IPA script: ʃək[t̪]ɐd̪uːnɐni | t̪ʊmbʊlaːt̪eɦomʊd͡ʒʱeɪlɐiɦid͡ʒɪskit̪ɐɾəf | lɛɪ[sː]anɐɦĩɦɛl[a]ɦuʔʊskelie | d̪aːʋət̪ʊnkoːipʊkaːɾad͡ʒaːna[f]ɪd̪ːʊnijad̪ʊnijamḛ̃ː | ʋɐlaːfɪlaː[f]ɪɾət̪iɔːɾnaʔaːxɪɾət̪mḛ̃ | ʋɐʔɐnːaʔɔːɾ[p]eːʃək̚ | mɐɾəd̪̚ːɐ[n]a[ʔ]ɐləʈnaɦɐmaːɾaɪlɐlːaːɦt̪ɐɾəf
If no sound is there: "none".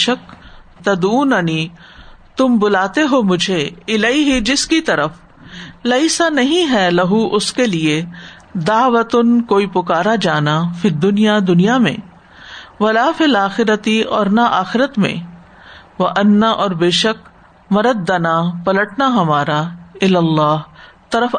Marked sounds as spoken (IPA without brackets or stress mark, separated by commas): t̪, s, ɐ, f, x, b, n, p